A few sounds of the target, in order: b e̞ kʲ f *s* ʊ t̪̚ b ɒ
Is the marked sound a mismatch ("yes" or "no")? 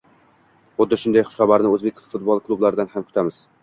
yes